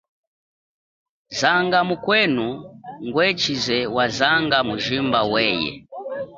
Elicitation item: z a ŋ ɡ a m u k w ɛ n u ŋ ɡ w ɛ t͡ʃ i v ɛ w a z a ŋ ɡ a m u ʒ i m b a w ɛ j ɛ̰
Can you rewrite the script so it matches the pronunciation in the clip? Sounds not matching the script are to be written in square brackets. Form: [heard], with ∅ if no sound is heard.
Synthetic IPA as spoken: z a ŋ ɡ a m u k w ɛ n u ŋ ɡ w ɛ t͡ʃ i [z] ɛ w a z a ŋ ɡ a m u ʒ i m b a w ɛ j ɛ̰